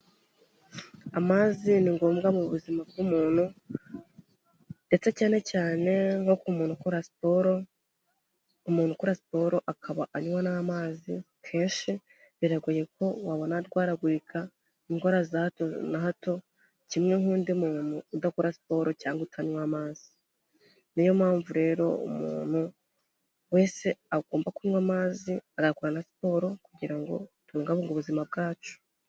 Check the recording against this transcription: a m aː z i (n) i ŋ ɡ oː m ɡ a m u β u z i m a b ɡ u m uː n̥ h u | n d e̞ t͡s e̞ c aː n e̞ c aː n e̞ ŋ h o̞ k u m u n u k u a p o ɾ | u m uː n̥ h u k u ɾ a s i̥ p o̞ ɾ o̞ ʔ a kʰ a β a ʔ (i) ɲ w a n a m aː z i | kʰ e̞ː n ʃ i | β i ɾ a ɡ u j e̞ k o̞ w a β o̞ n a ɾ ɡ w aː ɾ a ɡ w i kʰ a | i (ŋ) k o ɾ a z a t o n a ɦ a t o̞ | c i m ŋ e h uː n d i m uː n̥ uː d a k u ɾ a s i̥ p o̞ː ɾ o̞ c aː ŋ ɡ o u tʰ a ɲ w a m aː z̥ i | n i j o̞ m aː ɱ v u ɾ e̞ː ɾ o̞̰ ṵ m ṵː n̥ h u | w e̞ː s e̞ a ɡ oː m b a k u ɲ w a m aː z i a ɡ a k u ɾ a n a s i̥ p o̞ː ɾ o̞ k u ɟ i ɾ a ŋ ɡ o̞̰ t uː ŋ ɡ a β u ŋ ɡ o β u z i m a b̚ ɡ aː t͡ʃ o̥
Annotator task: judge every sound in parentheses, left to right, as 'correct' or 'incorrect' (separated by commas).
correct, incorrect, correct